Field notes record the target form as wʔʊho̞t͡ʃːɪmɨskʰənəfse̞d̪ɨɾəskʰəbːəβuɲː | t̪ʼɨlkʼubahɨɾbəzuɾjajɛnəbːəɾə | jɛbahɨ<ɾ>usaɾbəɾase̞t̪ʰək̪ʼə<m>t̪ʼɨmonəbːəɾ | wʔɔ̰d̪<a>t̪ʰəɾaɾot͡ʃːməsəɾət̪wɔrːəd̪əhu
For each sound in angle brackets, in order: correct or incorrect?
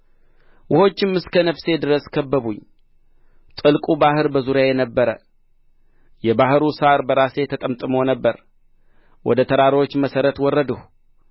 correct, correct, incorrect: ə

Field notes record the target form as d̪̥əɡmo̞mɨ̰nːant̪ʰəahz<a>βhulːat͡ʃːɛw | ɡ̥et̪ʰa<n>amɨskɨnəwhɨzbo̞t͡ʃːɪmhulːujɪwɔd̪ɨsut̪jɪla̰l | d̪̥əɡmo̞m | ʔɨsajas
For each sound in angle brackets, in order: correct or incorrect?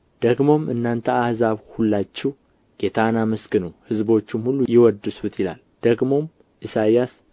correct, correct

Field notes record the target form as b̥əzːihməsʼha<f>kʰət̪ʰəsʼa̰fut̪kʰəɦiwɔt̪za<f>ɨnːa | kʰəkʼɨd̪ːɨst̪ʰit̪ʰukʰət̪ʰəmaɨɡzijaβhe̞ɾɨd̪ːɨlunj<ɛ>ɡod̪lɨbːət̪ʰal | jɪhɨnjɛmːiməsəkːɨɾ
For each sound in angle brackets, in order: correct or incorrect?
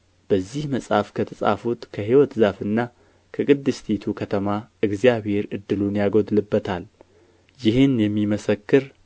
correct, correct, incorrect: a

